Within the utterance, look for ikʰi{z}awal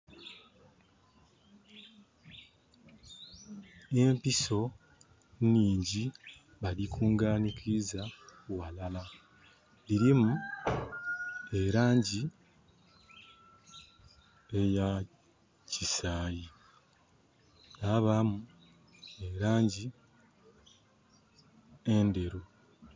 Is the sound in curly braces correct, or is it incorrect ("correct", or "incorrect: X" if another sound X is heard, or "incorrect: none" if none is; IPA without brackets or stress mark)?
correct